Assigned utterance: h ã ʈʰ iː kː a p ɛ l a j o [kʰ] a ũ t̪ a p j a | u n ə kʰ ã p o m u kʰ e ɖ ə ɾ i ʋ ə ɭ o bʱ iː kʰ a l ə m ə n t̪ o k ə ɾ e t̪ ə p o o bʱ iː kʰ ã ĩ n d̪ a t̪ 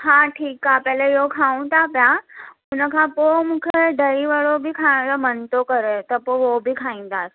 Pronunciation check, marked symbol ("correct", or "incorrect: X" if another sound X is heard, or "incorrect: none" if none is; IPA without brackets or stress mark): correct